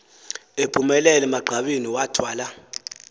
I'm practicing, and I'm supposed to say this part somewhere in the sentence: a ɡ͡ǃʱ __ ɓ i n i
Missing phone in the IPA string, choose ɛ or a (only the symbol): a